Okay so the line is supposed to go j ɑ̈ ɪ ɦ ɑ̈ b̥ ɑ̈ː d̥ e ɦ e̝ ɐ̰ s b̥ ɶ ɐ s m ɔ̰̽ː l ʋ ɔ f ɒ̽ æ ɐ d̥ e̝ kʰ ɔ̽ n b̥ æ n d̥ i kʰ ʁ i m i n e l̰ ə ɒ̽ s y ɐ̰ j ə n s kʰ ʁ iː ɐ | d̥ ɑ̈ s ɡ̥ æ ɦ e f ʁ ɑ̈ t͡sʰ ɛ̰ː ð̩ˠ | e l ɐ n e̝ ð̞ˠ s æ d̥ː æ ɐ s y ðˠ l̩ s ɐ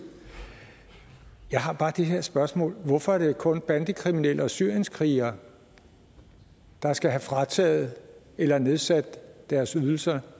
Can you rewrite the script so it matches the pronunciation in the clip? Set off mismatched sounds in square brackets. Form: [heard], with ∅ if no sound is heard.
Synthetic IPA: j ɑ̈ ɪ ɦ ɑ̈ b̥ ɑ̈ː d̥ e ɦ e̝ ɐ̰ s b̥ ɶ ɐ s m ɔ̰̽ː l ʋ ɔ f ɒ̽ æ ɐ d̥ e̝ kʰ ɔ̽ n b̥ æ n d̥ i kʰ ʁ i m i n e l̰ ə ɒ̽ s y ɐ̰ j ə n s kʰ ʁ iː ɐ | d̥ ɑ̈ s ɡ̥ æ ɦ [æ] f ʁ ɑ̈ t͡sʰ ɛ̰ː ð̩ˠ | e l ɐ n e̝ ð̞ˠ s æ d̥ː æ ɐ s y ðˠ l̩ s ɐ